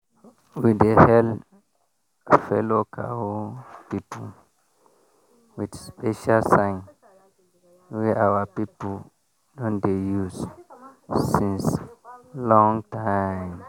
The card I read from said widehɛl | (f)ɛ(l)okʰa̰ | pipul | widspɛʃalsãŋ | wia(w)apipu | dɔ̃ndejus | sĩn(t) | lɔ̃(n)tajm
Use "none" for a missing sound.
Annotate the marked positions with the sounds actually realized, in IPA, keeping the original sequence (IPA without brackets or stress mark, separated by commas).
f, l, w, s, ŋ